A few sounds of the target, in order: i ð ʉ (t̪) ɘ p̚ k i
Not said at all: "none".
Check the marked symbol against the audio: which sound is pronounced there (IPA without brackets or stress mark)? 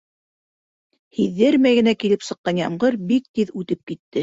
t̪